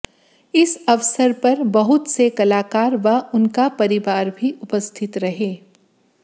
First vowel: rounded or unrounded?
unrounded